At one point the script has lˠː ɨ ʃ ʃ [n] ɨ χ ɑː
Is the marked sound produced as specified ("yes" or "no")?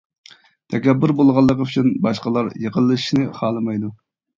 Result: yes